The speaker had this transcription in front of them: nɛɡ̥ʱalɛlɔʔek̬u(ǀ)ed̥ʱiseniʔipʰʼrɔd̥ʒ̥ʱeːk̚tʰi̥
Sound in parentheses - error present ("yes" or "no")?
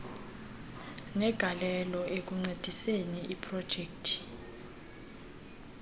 yes